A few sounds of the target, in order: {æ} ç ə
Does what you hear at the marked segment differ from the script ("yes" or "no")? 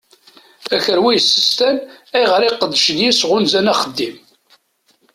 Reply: no